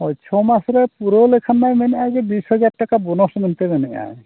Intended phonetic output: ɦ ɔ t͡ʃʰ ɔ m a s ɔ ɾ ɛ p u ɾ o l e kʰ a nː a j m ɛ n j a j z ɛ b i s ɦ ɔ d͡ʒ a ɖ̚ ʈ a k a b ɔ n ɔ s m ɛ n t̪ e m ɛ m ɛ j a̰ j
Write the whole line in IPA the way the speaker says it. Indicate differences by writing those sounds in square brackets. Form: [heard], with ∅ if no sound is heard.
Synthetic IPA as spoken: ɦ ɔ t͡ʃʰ ɔ m a s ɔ ɾ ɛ p u ɾ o l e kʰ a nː a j m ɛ n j a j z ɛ b i s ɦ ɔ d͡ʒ a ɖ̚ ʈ a k a b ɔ n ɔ s m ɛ n t̪ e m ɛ [n] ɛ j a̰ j